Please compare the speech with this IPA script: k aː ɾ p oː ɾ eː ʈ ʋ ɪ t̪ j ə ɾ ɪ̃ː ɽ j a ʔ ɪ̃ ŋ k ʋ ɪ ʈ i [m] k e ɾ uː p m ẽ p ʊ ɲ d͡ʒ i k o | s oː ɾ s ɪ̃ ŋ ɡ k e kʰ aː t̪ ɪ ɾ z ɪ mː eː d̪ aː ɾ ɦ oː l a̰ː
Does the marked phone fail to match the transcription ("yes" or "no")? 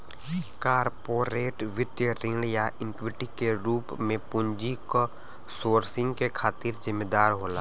yes